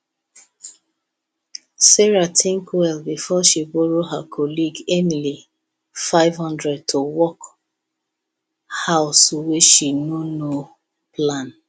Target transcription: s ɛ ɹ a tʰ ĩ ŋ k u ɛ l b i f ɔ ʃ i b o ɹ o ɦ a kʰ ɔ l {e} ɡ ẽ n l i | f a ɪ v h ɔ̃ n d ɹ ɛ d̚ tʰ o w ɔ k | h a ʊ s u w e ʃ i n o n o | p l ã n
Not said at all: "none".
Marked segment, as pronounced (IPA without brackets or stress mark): i